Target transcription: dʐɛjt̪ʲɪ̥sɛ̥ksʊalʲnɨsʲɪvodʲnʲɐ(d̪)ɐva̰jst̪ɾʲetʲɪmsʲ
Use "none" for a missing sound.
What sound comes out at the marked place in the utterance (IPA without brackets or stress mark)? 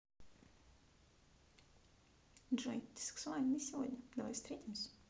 d̪